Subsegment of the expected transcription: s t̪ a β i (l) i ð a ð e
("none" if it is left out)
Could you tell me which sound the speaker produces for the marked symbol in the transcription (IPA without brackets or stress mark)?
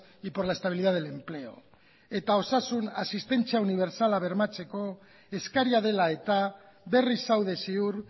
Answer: l